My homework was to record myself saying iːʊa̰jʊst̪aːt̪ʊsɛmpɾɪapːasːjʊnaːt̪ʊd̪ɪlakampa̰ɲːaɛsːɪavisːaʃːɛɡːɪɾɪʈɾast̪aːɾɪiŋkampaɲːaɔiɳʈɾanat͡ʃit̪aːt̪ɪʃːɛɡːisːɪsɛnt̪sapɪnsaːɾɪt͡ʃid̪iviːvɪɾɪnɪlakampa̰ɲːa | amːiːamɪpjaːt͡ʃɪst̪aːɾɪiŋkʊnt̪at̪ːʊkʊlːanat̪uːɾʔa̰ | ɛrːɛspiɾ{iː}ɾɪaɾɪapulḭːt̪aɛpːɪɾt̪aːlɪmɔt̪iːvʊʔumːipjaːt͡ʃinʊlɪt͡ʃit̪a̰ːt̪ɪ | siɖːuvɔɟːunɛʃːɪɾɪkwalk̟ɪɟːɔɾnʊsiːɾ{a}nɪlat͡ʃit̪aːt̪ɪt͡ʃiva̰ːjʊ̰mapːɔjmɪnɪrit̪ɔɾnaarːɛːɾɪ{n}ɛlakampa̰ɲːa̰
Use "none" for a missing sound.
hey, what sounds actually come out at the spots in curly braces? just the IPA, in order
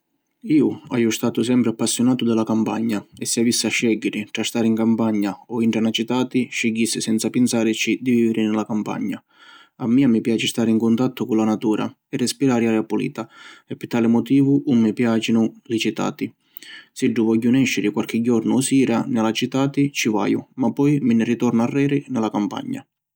aː, a, n

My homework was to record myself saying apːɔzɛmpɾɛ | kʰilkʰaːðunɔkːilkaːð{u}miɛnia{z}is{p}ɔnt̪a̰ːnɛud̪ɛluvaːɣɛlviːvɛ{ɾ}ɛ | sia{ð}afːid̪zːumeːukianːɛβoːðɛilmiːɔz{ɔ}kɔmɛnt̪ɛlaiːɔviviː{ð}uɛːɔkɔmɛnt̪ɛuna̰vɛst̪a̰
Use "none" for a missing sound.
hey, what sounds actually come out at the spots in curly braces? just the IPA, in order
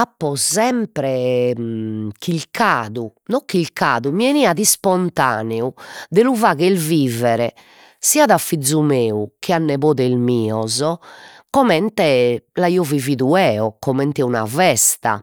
u, ð, p, ɾ, ð, ɔ, ð

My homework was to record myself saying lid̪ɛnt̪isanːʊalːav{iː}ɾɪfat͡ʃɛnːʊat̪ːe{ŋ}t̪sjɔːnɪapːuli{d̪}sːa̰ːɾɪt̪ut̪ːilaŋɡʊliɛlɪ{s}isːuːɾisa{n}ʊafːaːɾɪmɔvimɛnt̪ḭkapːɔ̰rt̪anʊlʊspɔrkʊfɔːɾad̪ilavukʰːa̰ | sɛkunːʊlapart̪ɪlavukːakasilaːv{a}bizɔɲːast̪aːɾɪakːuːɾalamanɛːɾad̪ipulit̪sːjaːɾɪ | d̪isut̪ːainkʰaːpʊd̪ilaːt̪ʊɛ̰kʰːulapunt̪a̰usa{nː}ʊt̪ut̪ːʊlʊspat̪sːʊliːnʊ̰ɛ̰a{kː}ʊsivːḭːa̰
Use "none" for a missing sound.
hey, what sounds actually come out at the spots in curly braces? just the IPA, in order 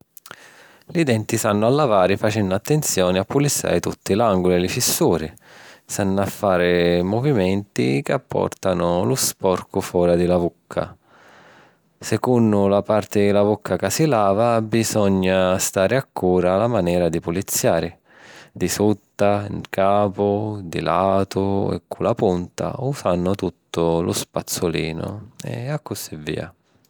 aː, n, t̪, f, nː, a, nː, kː

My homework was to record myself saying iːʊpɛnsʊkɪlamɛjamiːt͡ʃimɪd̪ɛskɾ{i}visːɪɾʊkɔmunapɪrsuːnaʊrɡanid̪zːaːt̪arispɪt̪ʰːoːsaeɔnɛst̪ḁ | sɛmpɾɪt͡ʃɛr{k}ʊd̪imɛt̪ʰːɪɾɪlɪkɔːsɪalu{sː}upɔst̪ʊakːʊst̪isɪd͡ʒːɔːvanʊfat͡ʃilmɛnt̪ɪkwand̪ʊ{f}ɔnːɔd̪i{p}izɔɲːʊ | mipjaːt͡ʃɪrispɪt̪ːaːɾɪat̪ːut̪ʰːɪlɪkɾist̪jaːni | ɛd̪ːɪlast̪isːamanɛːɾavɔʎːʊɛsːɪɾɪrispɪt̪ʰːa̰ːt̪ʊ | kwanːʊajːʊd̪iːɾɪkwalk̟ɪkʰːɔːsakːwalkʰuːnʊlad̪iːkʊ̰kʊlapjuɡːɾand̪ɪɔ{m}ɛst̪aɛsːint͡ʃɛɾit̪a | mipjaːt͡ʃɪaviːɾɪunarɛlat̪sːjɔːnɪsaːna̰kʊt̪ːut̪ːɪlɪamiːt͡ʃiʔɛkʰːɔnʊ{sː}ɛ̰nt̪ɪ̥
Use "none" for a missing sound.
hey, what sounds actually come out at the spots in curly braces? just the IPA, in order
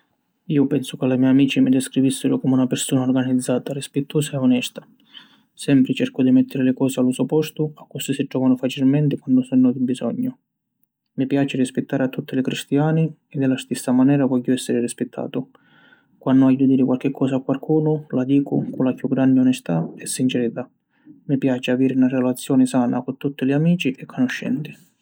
i, k, s, s, b, n, ʃː

